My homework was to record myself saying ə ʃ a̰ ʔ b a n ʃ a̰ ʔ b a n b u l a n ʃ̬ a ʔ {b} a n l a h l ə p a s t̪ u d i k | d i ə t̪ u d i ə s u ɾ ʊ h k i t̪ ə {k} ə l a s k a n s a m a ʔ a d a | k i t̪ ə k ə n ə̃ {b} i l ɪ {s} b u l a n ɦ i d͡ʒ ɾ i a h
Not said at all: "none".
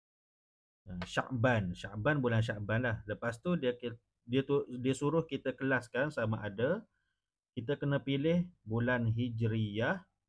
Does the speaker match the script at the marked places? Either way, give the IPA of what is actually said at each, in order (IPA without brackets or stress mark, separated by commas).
b, k, p, h